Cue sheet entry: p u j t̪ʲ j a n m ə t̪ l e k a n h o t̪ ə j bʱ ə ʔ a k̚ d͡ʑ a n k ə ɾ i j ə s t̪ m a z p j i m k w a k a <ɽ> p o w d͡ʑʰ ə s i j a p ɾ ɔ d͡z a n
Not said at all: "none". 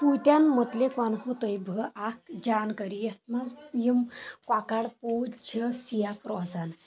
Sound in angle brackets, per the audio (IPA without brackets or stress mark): ɽ